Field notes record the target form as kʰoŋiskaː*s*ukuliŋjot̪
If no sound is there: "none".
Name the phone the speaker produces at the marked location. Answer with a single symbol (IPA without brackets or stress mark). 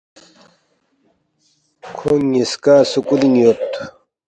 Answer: s